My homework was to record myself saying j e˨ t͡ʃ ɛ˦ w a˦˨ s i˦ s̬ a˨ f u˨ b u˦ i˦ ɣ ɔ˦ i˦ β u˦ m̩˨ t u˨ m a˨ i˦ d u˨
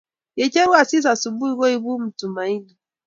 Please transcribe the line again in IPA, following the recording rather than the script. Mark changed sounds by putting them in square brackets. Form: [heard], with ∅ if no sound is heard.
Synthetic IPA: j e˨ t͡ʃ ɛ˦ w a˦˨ s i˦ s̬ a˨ [s] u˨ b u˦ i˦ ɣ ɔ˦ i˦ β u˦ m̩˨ t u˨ m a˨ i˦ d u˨

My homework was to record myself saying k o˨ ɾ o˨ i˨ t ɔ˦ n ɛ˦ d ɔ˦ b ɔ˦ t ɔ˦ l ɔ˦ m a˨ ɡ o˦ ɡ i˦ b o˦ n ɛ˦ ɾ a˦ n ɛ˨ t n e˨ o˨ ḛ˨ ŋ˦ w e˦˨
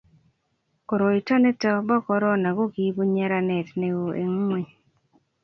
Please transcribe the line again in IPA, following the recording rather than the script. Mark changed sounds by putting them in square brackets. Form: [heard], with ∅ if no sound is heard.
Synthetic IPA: k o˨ ɾ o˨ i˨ t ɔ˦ n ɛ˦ [t] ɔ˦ b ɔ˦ [k] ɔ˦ [ɾ] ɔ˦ [n] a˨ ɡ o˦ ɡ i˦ b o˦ [ɲ] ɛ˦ ɾ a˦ n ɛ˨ t n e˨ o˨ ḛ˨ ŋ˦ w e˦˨

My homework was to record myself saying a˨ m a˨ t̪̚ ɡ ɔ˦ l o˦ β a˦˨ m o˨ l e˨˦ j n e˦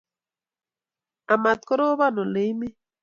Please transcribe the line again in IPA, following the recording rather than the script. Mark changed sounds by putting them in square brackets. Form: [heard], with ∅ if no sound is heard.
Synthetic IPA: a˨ m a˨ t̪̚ [k] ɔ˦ [ɾ] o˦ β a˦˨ [n] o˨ l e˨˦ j [m] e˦

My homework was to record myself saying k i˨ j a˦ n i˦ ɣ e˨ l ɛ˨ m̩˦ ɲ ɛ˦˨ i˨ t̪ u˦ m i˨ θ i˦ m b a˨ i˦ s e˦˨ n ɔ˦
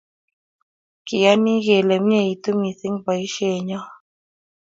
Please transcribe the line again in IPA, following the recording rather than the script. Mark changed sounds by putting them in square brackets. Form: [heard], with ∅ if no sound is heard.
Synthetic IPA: k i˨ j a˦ n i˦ ɣ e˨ l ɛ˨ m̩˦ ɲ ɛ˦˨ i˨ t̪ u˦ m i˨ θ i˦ [ŋ] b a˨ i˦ [ʃ] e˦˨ [ɲ] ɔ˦

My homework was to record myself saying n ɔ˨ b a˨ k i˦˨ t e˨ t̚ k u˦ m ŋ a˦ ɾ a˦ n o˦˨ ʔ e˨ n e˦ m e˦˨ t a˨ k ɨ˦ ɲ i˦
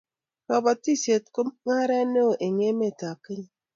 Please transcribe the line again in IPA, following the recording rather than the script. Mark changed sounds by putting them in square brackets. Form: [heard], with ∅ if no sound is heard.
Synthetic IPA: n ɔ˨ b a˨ [t] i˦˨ [s] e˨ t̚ k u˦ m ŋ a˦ ɾ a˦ n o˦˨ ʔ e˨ [ŋ] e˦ m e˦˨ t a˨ k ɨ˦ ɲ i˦

